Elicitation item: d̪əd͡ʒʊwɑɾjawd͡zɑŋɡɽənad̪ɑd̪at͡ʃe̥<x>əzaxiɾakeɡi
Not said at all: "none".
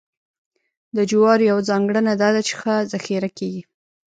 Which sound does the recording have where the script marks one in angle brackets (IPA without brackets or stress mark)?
x